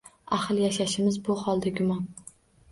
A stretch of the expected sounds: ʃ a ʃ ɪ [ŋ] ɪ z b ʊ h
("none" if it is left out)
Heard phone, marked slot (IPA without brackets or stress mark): m